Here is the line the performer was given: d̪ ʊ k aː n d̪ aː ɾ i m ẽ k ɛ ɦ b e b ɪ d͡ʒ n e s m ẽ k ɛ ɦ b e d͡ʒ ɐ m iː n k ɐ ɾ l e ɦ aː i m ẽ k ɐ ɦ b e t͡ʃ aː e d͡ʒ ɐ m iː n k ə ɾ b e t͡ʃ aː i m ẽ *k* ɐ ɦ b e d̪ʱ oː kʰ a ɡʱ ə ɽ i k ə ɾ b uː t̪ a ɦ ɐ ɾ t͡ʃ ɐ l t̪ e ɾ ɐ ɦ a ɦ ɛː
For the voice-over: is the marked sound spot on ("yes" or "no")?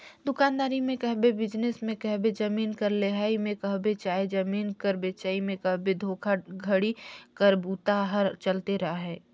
yes